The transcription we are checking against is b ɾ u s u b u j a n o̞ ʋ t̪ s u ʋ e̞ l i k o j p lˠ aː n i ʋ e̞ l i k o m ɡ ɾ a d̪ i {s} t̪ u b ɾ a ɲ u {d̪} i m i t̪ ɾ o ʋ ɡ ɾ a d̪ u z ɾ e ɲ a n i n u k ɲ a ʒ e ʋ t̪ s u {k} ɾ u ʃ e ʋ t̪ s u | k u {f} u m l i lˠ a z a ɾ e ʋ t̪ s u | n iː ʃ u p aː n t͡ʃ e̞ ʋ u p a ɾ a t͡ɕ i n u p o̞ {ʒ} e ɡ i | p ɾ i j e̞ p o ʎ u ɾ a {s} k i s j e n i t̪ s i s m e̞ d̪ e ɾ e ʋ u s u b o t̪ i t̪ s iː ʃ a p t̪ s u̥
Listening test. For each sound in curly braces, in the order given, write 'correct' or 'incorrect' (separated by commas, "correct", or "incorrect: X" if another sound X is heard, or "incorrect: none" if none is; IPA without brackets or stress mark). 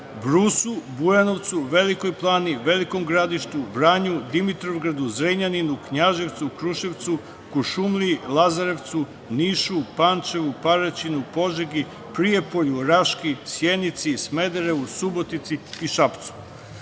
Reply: incorrect: ʃ, correct, correct, incorrect: ʃ, correct, incorrect: ʃ